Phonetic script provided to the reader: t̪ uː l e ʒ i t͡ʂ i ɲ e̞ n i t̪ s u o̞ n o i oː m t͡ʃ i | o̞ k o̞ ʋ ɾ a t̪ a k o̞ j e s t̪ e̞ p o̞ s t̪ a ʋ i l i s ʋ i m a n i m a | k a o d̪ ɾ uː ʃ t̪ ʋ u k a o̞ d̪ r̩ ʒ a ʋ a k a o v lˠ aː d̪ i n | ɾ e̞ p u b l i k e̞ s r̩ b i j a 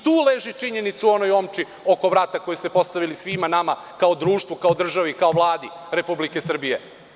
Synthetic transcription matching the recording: t̪ uː l e ʒ i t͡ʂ i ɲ e̞ n i t̪ s u o̞ n o j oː m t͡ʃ i | o̞ k o̞ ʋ ɾ a t̪ a k o̞ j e s t̪ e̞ p o̞ s t̪ a ʋ i l i s ʋ i m a n a m a | k a o d̪ ɾ uː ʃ t̪ ʋ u k a o̞ d̪ r̩ ʒ a ʋ i k a o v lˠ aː d̪ i | ɾ e̞ p u b l i k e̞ s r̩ b i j e